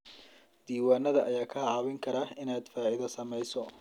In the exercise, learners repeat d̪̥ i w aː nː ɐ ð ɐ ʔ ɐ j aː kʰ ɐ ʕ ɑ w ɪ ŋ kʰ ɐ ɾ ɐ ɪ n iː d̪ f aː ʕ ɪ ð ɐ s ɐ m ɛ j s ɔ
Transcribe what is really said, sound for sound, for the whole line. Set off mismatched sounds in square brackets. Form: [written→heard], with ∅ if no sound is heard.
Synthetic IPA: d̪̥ [i→iː] w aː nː ɐ ð ɐ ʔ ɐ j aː kʰ ɐ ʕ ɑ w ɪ ŋ kʰ ɐ ɾ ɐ ɪ n [iː→aː] d̪ f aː ʕ ɪ ð ɐ s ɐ m ɛ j s ɔ